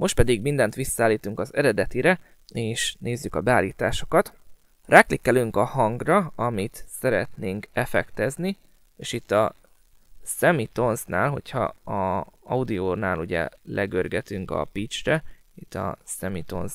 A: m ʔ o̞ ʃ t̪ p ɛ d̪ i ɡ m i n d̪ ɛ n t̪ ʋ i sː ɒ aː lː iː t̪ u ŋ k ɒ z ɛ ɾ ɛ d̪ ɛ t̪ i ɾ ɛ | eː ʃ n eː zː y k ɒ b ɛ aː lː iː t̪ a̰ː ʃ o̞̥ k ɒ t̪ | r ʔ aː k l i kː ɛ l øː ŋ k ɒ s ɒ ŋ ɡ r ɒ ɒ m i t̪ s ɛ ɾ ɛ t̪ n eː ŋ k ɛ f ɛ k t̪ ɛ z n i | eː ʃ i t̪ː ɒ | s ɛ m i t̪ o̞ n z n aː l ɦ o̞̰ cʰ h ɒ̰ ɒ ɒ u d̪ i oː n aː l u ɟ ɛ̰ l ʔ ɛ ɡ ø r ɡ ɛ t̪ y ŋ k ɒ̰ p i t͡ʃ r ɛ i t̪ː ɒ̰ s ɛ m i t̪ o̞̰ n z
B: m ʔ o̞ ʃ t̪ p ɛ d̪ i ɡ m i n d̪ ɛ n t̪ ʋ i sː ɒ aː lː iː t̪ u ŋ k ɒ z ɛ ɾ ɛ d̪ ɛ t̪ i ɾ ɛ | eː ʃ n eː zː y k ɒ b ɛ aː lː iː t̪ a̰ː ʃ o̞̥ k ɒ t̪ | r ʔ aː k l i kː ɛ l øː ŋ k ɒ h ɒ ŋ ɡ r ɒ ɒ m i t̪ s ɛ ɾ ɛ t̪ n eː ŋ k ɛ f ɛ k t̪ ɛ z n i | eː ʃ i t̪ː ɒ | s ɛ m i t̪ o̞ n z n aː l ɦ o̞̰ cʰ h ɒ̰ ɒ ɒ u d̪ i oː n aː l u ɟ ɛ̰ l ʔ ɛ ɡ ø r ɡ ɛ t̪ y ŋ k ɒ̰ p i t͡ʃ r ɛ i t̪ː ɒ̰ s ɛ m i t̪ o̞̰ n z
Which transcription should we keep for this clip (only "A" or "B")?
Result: B